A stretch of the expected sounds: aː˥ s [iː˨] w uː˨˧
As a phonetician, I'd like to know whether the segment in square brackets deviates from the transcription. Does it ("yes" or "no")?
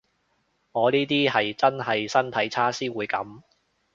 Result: yes